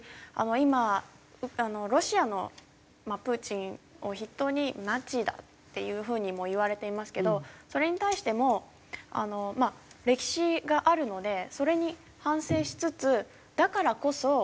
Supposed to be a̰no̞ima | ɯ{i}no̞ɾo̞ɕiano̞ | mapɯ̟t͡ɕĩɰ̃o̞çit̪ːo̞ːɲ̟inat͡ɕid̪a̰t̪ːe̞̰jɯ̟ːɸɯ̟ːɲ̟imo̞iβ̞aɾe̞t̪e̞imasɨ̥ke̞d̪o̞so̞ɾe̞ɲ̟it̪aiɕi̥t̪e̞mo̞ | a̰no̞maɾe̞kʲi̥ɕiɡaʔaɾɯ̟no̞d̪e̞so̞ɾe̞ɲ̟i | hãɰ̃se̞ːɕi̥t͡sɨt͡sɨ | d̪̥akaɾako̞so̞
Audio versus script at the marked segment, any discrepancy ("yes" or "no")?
yes